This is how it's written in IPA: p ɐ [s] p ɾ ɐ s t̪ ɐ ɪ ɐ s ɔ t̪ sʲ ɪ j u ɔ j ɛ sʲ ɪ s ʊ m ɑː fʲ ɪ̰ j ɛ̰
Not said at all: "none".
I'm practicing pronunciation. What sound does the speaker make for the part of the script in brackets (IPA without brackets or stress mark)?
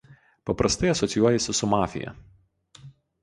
none